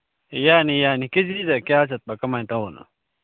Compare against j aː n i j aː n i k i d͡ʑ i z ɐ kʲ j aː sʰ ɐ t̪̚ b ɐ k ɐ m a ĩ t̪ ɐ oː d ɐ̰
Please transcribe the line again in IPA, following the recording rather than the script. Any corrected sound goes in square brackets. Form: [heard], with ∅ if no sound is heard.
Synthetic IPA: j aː n i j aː n i k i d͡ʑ i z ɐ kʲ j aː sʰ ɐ t̪̚ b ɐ k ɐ m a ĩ t̪ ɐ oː [n] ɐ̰